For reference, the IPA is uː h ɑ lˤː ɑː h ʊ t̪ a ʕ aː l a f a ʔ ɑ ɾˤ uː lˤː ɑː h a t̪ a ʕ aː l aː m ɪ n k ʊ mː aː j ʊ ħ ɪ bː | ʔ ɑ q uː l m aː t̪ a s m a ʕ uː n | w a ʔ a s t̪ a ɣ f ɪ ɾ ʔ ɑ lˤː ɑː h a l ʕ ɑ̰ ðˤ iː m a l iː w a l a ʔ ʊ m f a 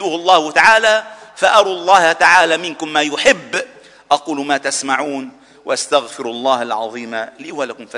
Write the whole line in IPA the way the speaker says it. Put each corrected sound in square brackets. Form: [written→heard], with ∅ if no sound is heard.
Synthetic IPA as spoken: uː h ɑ lˤː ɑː h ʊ t̪ a ʕ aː l a f a ʔ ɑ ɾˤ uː lˤː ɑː h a t̪ a ʕ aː l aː m ɪ n k ʊ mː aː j ʊ ħ ɪ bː | ʔ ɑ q uː l m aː t̪ a s m a ʕ uː n | w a ʔ a s t̪ a ɣ f ɪ ɾ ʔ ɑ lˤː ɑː h a l ʕ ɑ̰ ðˤ iː m a l iː w a l a [ʔ→k] ʊ m f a